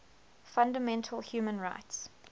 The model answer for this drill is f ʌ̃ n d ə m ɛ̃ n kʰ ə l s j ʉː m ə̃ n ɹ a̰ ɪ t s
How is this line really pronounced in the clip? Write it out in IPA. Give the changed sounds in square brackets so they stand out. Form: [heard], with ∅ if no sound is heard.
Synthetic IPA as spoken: f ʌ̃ n d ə m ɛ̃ n [tʰ] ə l [h] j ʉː m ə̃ n ɹ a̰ ɪ t s